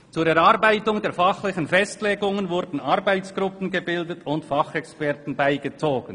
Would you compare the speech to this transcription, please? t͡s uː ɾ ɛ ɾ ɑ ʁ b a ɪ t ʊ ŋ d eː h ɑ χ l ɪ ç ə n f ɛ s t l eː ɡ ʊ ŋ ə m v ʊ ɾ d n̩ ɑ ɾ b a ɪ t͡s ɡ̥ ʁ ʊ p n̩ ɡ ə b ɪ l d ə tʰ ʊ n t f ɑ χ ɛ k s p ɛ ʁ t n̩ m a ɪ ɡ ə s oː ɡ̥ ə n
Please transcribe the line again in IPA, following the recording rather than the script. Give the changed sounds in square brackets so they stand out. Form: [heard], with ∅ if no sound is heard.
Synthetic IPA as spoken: t͡s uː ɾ ɛ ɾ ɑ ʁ b a ɪ t ʊ ŋ d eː [f] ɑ χ l ɪ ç ə n f ɛ s t l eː ɡ ʊ ŋ ə [n] v ʊ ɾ d n̩ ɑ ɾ b a ɪ t͡s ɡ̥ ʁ ʊ p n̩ ɡ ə b ɪ l d ə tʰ ʊ n t f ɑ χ ɛ k s p ɛ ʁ t n̩ [b] a ɪ ɡ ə [t͡s] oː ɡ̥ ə n